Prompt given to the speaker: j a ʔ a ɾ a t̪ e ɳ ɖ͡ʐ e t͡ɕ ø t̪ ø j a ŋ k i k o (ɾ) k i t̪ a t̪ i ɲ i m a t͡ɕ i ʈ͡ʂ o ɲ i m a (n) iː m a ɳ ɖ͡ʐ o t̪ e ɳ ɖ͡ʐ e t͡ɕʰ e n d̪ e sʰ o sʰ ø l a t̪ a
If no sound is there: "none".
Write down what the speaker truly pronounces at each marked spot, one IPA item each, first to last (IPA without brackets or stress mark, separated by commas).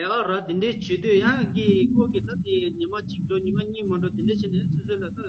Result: none, ɲ